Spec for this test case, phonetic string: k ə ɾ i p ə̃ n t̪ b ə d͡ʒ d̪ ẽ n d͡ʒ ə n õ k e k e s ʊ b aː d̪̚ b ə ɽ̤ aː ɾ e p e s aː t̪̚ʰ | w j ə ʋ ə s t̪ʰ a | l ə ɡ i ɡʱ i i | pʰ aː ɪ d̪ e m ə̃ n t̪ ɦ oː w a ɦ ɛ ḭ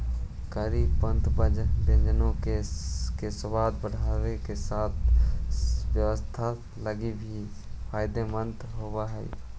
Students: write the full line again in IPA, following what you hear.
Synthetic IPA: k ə ɾ i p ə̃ n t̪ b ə d͡ʒ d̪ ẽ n d͡ʒ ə n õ k e k e s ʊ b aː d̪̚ b ə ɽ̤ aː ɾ e k e s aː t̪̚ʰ | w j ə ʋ ə s t̪ʰ a | l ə ɡ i bʱ i i | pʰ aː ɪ d̪ e m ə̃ n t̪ ɦ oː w a ɦ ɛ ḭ